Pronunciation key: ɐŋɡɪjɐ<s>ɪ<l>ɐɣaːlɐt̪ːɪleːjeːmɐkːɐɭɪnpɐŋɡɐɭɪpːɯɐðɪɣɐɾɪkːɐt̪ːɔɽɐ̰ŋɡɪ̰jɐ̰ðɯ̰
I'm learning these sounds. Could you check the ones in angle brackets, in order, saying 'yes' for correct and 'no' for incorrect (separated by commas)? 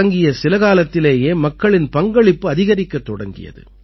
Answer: yes, yes